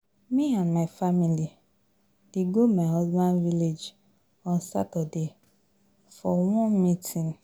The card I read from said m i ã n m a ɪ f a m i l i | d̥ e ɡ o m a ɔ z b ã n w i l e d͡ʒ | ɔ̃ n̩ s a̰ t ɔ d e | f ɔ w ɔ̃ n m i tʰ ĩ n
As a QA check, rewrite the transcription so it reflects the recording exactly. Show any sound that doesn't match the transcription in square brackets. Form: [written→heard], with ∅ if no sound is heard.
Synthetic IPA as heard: m i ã n m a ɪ f a m i l i | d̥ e ɡ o m a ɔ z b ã n [w→v] i l e d͡ʒ | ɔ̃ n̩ s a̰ t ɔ d e | f ɔ w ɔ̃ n m i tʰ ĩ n